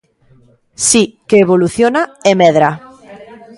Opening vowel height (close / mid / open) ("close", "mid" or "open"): close